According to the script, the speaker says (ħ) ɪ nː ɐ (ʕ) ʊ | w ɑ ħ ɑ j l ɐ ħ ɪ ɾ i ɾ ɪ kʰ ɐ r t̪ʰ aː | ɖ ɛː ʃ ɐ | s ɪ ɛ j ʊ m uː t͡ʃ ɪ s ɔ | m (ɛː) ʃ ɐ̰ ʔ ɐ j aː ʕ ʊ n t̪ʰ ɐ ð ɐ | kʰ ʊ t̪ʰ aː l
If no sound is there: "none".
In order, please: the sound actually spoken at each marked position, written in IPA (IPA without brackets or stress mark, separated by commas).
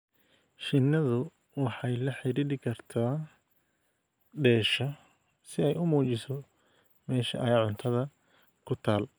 ʃ, ð, ɛː